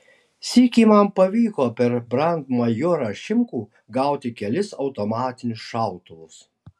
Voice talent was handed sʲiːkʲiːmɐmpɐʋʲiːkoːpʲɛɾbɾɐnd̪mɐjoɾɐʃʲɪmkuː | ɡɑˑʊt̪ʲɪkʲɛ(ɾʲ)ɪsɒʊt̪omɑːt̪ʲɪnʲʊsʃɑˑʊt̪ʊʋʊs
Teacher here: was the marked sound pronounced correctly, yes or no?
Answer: no